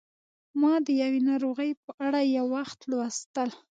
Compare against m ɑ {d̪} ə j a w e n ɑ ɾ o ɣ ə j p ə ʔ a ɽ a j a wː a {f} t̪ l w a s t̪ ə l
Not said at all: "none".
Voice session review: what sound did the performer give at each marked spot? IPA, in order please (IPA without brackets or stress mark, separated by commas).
d̪, x